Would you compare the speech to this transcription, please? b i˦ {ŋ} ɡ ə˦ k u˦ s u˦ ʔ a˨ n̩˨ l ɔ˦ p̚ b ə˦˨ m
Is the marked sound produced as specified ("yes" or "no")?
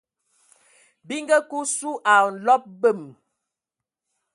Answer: yes